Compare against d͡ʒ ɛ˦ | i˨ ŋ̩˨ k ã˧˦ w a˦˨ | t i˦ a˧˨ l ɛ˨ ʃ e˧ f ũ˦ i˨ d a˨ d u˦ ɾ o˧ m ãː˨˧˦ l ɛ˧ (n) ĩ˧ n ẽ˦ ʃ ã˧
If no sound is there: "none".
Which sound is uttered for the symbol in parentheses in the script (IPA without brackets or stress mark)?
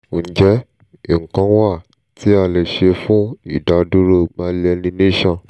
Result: n